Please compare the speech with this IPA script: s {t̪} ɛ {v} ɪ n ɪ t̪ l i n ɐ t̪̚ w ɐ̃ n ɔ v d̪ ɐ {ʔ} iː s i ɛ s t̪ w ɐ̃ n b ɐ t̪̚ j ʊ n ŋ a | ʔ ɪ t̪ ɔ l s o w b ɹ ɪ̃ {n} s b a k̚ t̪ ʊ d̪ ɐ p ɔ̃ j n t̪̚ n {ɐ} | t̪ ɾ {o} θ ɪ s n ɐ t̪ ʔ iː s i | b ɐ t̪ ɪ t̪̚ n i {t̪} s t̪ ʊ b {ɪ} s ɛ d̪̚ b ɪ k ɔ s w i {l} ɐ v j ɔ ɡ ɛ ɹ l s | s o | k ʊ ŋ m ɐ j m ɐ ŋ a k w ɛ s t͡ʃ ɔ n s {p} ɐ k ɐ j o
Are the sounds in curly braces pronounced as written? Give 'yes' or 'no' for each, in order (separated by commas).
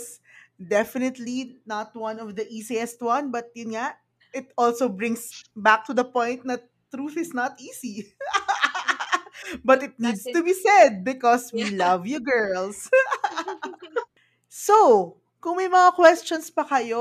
no, no, yes, no, yes, no, no, no, yes, yes